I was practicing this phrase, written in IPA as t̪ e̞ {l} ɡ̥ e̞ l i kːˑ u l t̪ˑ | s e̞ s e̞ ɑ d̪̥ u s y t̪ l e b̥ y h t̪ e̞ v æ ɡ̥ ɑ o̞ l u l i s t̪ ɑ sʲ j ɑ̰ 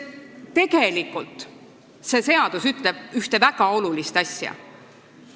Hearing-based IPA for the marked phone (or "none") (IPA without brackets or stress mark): none